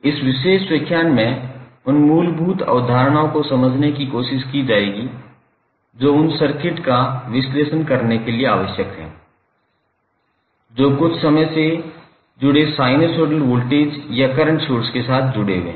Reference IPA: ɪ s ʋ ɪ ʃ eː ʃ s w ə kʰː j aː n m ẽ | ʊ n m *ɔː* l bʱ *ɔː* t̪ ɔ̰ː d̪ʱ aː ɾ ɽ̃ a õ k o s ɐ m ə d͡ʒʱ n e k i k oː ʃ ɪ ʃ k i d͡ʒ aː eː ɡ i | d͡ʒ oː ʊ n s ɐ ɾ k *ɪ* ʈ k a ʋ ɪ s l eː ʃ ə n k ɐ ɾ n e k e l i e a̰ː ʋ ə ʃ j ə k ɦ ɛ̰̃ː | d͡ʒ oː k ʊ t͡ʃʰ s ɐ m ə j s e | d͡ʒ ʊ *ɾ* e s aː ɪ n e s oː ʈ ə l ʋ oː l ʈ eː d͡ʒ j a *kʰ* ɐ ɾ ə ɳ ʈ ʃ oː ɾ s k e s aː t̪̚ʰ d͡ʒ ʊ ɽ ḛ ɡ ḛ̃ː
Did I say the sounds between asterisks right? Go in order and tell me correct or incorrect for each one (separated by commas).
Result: incorrect, incorrect, correct, incorrect, incorrect